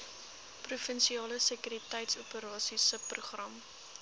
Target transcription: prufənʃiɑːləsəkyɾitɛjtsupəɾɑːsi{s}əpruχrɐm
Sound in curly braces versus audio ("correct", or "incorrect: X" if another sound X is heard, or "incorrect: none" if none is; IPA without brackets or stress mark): correct